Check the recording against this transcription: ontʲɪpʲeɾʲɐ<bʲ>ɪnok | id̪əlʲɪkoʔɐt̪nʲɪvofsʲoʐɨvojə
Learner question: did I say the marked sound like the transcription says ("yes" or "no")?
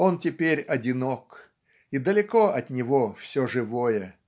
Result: no